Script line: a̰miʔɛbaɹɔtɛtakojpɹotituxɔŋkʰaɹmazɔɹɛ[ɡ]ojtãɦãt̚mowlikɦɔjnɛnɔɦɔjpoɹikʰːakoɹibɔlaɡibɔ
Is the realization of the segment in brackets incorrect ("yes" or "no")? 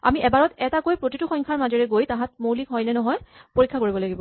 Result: no